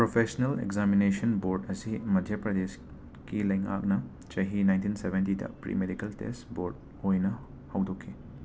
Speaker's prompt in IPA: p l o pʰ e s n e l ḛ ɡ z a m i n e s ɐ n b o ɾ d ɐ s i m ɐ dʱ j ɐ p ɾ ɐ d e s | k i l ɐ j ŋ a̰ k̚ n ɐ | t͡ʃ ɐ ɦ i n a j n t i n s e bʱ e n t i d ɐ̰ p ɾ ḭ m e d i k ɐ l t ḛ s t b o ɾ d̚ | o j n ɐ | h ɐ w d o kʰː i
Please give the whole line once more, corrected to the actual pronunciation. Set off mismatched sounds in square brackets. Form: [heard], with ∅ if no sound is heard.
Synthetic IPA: p [ɾ] o pʰ e s n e l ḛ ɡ z a m i n e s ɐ n b o ɾ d ɐ s i m ɐ dʱ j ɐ p ɾ ɐ d e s | k i l ɐ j ŋ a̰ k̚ n ɐ | t͡ʃ ɐ ɦ i n a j n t i n s e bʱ e n t i d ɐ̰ p ɾ ḭ m e d i k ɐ l t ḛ s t b o ɾ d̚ | o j n ɐ | h ɐ w d o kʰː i

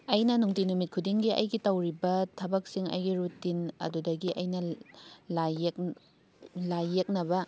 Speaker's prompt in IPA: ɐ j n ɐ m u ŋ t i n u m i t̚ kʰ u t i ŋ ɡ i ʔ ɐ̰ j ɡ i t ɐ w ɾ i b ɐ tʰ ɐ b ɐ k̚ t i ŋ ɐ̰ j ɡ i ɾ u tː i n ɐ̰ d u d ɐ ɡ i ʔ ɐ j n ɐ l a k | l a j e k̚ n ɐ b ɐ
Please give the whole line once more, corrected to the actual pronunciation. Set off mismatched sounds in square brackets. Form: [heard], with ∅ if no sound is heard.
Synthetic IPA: ɐ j n ɐ [n] u ŋ t i n u m i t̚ kʰ u [d] i ŋ ɡ i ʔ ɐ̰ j ɡ i t ɐ w ɾ i b ɐ tʰ ɐ b ɐ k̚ [s] i ŋ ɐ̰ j ɡ i ɾ u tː i n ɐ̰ d u d ɐ ɡ i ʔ ɐ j n ɐ l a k | l a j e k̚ n ɐ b ɐ

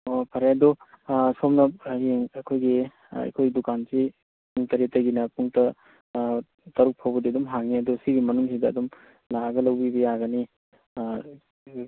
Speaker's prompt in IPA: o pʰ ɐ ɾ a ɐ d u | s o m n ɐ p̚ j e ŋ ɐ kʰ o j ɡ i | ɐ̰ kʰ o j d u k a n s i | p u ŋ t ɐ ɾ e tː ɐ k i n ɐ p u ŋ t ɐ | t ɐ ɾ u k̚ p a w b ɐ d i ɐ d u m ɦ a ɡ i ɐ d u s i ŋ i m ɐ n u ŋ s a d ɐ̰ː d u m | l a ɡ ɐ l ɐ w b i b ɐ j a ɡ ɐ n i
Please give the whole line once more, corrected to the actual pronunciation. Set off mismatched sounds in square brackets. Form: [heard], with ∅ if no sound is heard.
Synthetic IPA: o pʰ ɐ ɾ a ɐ d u | s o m n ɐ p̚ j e ŋ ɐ kʰ o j ɡ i | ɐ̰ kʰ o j d u k a n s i | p u ŋ t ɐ ɾ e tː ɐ [ɡ] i n ɐ p u ŋ t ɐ | t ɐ ɾ u k̚ [pʰ] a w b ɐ d i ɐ d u m ɦ a [ŋ] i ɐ d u s i [ɡ] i m ɐ n u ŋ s [i] d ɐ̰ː d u m | l a ɡ ɐ l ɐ w b i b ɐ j a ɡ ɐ n i

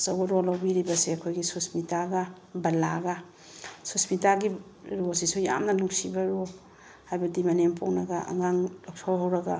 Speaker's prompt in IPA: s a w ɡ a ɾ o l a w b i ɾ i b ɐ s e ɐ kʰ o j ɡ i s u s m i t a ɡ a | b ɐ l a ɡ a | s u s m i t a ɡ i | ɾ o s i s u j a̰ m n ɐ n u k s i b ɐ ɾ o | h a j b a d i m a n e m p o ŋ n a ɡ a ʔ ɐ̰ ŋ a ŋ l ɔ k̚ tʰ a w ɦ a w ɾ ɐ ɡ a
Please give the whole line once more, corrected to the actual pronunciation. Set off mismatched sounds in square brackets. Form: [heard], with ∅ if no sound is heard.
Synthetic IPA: s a w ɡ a ɾ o l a w b i ɾ i b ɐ s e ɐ kʰ o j ɡ i s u s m i t a ɡ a | b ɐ l a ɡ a | s u s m i t a ɡ i | ɾ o s i s u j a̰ m n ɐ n u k s i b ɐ ɾ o | h a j b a d i m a n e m p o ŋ n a ɡ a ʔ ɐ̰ ŋ a ŋ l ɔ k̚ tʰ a w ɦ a w ɾ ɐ ɡ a

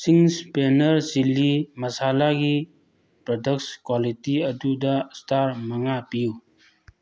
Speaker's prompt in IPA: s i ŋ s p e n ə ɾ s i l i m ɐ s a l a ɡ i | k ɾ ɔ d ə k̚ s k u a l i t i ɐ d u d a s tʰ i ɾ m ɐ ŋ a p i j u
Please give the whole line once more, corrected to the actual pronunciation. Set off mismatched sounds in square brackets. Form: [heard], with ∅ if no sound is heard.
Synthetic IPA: s i ŋ s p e n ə ɾ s i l i m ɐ s a l a ɡ i | [p] ɾ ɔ d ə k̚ s k [w] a l i t i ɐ d u d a s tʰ [a] ɾ m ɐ ŋ a p i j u

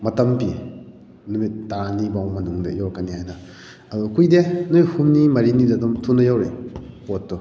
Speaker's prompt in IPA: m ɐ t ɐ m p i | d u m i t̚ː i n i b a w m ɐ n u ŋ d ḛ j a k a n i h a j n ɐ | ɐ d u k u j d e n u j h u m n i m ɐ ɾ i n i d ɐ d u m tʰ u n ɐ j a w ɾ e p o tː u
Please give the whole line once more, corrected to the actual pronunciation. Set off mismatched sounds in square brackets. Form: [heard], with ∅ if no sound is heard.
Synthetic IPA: m ɐ t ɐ m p i | [n] u m i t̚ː [a] n i b a w m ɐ n u ŋ d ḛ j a k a n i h a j n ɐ | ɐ d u k u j d e n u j h u m n i m ɐ ɾ i n i d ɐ d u m tʰ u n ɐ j a w ɾ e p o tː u

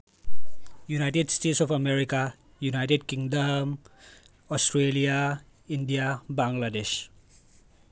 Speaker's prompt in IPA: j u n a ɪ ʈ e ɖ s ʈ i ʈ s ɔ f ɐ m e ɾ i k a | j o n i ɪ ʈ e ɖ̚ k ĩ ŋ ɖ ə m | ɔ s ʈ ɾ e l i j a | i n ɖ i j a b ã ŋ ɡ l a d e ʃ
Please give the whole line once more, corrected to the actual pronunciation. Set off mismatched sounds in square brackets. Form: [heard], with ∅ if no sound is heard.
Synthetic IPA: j u n a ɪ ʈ e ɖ s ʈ [e] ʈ s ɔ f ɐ m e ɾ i k a | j [u] n [a] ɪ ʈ e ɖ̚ k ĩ ŋ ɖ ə m | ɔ s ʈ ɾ e l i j a | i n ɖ i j a b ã ŋ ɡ l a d e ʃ

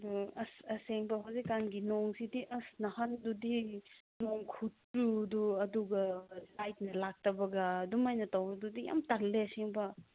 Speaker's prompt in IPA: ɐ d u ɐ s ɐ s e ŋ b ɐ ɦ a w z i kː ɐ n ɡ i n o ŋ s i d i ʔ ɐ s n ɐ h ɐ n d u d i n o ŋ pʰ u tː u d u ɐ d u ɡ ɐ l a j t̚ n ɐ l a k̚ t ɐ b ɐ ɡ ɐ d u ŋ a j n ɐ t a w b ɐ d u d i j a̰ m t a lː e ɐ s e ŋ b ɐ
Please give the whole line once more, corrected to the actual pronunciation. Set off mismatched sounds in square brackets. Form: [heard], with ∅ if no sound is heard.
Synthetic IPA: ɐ d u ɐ s ɐ s e ŋ b ɐ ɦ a w z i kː [a] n ɡ i n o ŋ s i d i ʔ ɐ s n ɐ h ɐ n d u d i n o ŋ [kʰ] u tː u d u ɐ d u ɡ ɐ l a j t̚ n ɐ l a k̚ t ɐ b ɐ ɡ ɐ d u [m] a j n ɐ t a w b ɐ d u d i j a̰ m t a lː e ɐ s e ŋ b ɐ

